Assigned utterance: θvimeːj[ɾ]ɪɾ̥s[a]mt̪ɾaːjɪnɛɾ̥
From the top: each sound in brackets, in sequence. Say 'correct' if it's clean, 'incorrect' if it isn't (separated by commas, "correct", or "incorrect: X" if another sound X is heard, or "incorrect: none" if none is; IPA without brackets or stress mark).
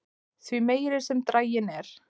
correct, incorrect: ɛ